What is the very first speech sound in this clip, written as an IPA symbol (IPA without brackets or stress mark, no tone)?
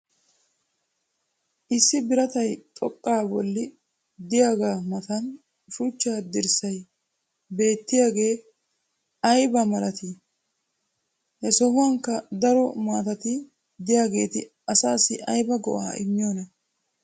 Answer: ʔ